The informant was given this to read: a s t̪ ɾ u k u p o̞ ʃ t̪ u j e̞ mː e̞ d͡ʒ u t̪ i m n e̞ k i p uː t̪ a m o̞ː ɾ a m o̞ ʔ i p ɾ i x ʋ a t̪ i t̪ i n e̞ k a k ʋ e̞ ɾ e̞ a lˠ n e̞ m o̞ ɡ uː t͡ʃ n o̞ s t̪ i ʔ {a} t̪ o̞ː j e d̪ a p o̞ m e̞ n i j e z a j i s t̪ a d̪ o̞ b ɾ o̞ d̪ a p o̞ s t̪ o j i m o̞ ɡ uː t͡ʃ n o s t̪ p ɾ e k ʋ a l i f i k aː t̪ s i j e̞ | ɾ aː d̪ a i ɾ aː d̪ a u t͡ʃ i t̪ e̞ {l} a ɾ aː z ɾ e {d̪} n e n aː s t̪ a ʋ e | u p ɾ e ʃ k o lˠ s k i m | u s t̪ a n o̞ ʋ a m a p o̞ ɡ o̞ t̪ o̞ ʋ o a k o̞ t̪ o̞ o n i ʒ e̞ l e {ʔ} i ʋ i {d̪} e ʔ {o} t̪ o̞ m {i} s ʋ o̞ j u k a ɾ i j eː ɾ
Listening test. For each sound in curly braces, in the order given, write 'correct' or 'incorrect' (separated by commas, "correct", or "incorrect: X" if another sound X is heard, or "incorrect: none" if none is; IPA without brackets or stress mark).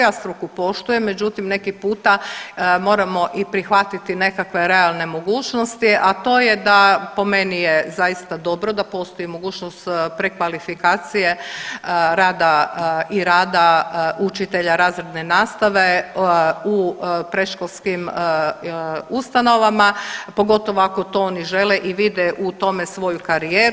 correct, incorrect: ʎ, correct, correct, correct, incorrect: u, incorrect: e